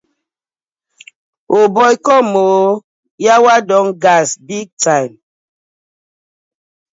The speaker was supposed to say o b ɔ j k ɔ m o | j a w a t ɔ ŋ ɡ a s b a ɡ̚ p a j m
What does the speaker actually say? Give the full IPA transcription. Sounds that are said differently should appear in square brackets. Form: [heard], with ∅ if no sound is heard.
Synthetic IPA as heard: o b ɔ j k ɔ m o | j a w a [d] ɔ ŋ ɡ a s b [i] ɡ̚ [t] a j m